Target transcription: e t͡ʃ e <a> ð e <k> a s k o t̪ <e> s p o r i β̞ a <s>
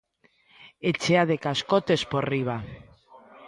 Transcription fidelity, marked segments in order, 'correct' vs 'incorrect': correct, correct, correct, incorrect: none

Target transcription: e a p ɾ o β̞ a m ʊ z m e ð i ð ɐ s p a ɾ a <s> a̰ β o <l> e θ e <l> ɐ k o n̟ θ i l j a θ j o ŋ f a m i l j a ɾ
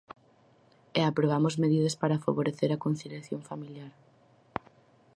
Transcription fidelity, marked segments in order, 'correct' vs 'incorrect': incorrect: f, incorrect: ɾ, incorrect: ɾ

